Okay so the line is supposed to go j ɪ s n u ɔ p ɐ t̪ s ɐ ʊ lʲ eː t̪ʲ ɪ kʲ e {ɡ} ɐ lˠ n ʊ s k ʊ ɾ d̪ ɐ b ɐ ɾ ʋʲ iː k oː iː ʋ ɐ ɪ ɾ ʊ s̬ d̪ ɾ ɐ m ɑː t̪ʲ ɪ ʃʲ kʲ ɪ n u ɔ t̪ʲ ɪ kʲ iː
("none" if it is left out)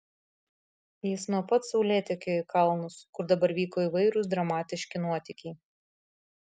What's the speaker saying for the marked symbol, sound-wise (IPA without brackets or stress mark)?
k